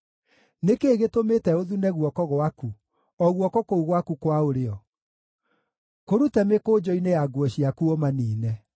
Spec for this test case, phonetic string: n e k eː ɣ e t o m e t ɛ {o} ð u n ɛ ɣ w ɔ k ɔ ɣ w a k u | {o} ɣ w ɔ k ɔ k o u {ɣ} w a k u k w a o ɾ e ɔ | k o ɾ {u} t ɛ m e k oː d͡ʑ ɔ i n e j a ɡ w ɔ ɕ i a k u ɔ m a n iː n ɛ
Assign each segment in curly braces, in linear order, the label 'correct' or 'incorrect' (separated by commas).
correct, incorrect, correct, correct